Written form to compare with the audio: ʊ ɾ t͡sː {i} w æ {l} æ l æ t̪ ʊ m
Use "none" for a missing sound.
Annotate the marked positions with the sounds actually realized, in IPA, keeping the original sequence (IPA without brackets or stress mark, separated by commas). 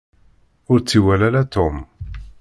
i, l